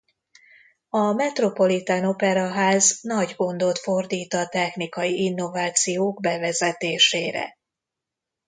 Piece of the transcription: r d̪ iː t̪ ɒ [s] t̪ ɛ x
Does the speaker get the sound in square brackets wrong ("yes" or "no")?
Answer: yes